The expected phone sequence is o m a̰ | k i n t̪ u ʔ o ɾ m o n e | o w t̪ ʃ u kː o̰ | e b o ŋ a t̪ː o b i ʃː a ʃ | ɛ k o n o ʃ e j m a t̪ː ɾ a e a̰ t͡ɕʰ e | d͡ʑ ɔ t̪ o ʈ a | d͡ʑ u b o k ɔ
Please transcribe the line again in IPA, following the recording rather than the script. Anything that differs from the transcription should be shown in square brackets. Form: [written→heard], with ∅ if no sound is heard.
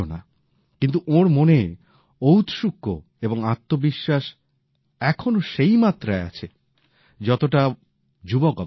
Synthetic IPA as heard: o [m→n] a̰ | k i n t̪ u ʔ o ɾ m o n e | o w t̪ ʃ u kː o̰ | e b o ŋ a t̪ː o b i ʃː a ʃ | ɛ [k→kʰ] o n o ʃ e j m a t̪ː ɾ a e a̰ t͡ɕʰ e | d͡ʑ ɔ t̪ o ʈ a | d͡ʑ u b o k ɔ